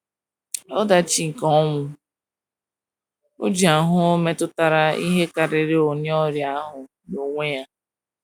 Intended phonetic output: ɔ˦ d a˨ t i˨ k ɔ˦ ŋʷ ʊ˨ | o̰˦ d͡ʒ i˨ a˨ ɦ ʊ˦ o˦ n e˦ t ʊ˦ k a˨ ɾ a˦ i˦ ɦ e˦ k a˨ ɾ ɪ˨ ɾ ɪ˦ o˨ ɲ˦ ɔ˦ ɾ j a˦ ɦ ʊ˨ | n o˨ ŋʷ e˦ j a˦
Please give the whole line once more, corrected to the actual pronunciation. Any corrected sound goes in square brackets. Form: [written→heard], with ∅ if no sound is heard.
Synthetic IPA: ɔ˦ d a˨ [t→t͡ʃ] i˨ k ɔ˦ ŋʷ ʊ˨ | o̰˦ d͡ʒ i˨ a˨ ɦ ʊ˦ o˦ [n→m] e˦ t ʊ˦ [k→t] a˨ ɾ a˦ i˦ ɦ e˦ k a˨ ɾ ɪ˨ ɾ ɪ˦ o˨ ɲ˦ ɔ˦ ɾ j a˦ ɦ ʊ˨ | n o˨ ŋʷ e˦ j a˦